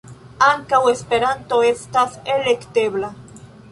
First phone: a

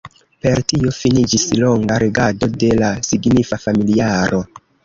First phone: p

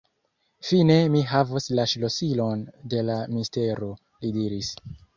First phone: f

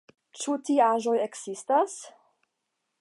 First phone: t͡ʃ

